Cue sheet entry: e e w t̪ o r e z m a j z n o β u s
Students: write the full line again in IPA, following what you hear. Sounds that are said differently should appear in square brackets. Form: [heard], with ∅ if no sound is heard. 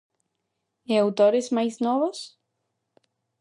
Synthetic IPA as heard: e [a] w t̪ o [ɾ] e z m a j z n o β [o] s